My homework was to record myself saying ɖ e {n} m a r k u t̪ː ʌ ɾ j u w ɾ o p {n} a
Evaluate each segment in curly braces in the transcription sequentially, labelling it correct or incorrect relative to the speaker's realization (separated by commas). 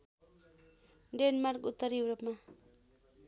correct, incorrect